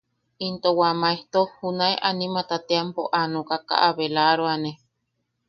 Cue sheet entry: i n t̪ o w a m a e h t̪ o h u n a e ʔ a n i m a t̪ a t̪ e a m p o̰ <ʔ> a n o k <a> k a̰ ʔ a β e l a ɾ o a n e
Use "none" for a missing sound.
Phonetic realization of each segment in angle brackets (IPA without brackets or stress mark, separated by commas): ʔ, a